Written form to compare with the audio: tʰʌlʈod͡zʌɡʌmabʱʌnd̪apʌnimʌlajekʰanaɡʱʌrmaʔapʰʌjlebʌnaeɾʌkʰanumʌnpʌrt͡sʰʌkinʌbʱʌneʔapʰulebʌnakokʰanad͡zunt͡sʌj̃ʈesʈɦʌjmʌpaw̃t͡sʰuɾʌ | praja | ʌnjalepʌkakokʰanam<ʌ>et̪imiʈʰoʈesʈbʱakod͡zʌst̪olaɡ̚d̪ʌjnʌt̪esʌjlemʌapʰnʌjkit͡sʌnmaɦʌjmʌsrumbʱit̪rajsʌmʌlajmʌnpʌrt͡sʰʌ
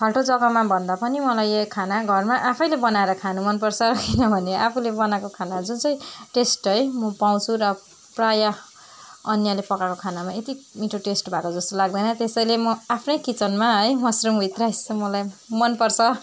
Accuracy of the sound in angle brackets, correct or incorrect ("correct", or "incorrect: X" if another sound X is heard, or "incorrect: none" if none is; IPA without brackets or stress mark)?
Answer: incorrect: a